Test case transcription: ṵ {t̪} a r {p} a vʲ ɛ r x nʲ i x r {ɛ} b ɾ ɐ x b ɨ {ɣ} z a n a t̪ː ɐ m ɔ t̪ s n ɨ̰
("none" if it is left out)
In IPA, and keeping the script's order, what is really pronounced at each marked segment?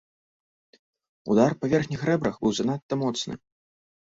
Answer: d̪, p, ɛ, w

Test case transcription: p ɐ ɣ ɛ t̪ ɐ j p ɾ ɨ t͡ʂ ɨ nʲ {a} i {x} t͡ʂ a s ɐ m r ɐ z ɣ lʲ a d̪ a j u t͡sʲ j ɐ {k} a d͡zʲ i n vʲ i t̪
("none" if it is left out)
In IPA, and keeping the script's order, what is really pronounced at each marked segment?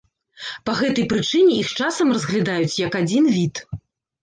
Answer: ɛ, x, k

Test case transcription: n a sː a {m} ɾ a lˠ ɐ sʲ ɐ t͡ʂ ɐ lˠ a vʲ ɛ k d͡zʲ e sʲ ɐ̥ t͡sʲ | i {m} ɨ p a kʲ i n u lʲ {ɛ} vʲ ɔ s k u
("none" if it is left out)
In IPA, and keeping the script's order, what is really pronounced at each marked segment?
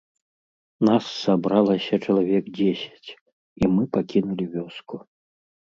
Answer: b, m, i

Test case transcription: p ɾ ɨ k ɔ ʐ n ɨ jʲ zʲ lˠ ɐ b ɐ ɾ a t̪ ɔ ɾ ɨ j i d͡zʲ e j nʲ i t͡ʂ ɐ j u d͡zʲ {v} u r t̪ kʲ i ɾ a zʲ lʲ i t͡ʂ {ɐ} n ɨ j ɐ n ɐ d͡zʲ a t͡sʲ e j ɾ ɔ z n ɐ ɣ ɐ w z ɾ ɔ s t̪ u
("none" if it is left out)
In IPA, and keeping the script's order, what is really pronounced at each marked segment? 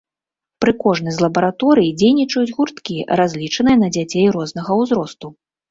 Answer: ɣ, ɐ

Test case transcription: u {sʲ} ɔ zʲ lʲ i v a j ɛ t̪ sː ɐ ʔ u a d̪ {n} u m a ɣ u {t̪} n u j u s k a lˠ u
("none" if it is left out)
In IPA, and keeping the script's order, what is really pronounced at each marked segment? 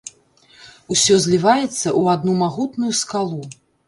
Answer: sʲ, n, t̪

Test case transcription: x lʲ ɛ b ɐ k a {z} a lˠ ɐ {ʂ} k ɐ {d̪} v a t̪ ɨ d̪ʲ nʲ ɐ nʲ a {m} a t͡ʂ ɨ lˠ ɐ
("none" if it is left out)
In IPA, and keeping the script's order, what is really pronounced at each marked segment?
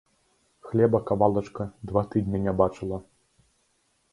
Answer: v, t͡ʂ, d̪, b

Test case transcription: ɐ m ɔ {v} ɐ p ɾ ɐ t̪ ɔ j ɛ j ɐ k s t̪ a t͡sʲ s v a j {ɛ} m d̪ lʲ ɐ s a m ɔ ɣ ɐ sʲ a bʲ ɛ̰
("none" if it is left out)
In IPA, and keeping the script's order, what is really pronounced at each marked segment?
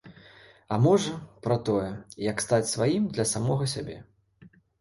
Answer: ʐ, i

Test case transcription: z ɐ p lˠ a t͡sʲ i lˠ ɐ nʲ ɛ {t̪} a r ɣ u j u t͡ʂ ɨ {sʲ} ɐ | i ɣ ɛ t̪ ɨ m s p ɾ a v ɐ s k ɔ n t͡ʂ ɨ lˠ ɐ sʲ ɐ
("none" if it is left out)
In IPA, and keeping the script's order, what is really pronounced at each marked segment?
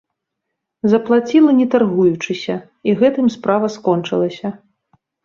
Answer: t̪, sʲ

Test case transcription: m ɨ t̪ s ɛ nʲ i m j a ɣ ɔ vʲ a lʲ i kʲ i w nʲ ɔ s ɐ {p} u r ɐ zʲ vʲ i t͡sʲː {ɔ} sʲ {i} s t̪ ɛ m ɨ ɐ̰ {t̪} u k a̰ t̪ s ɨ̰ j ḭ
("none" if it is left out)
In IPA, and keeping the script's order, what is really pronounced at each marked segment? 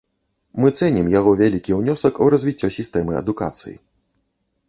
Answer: k, ɔ, i, d̪

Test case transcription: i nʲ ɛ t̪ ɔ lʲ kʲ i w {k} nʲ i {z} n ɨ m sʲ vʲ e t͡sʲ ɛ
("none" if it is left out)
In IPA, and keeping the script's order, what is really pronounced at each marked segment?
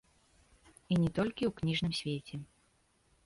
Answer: k, ʐ

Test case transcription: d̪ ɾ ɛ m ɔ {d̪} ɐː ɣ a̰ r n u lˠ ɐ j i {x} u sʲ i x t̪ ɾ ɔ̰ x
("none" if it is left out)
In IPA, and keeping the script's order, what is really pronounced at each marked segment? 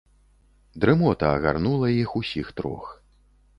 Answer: t̪, x

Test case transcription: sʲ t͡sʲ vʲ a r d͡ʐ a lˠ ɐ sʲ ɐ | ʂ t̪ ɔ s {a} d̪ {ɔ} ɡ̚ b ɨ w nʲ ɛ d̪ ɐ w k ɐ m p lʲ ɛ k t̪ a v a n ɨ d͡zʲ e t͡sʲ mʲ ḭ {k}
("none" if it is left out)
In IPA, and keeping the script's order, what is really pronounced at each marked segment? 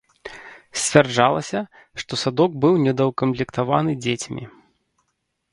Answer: a, ɔ, none

